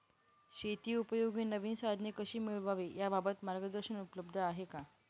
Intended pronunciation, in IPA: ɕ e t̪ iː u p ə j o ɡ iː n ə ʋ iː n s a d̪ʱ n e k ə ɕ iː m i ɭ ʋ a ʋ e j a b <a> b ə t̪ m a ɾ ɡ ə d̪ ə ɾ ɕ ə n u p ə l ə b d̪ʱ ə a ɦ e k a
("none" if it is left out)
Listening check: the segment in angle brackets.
a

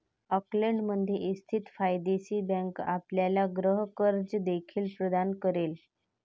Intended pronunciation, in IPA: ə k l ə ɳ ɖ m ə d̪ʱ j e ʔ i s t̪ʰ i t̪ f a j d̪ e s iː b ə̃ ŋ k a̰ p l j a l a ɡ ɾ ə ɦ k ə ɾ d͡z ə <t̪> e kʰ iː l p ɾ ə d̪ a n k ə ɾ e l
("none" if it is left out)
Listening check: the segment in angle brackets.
d̪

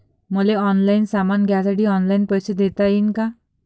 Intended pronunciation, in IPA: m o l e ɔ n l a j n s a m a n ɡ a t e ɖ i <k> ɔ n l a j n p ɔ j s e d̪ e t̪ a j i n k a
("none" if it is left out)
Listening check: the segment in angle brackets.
none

